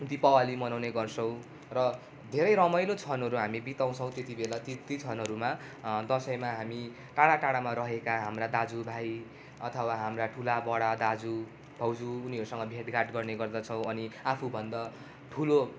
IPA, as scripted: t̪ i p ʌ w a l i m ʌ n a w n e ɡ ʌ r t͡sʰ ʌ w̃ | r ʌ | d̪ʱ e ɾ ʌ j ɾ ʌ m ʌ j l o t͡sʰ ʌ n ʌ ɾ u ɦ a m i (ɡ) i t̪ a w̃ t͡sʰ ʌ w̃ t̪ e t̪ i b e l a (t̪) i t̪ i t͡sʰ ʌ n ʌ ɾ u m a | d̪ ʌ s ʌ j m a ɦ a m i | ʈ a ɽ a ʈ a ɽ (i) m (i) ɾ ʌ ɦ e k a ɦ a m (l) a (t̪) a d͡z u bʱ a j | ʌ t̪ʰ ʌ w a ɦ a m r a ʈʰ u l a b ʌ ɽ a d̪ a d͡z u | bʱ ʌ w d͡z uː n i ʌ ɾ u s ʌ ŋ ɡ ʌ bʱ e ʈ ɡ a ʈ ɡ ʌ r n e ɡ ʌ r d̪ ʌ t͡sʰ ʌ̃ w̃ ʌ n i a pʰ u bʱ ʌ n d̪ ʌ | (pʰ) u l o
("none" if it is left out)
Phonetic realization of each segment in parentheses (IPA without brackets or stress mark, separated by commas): b, t̪, a, a, r, d̪, ʈʰ